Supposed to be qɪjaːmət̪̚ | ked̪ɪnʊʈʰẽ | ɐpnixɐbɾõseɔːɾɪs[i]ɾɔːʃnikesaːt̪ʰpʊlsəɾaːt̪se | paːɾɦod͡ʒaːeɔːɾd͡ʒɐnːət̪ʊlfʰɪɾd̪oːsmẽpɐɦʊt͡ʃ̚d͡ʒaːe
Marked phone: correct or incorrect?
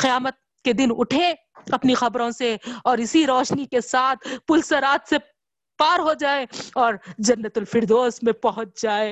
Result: correct